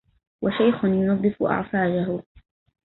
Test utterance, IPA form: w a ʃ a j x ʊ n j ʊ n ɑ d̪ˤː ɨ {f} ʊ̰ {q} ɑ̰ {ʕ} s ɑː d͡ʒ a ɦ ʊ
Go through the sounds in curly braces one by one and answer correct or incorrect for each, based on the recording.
correct, incorrect: ʔ, correct

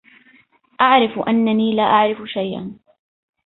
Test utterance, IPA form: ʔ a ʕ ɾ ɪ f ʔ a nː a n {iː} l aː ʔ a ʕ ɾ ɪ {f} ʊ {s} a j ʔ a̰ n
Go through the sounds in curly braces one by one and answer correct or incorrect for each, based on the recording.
correct, correct, incorrect: ʃ

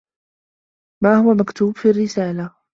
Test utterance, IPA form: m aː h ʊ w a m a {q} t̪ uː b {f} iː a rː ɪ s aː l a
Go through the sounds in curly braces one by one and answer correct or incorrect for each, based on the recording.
incorrect: k, correct

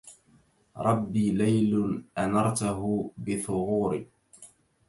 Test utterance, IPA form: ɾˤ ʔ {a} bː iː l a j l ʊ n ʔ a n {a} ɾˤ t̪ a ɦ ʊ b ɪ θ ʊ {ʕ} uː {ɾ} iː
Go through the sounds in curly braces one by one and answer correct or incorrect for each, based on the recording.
incorrect: ɑ, incorrect: ɑ, incorrect: ɣ, correct

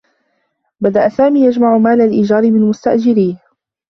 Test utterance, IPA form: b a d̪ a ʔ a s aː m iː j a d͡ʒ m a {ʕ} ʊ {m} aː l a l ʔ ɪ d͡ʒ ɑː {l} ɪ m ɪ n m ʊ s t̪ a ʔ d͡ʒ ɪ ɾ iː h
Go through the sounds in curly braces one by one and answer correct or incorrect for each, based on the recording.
correct, correct, incorrect: ɾ

